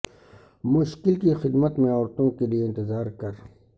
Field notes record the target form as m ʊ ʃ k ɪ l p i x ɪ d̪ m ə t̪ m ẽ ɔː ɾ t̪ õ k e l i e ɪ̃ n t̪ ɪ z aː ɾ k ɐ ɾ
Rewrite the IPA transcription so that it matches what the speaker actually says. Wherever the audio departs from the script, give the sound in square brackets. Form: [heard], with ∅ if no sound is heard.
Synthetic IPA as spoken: m ʊ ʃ k ɪ l [k] i x ɪ d̪ m ə t̪ m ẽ ɔː ɾ t̪ õ k e l i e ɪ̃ n t̪ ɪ z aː ɾ k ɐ ɾ